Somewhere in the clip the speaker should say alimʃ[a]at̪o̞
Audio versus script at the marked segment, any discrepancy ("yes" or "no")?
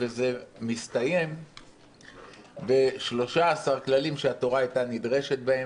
yes